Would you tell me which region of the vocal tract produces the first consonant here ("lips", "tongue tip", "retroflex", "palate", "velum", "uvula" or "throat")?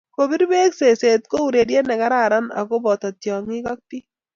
velum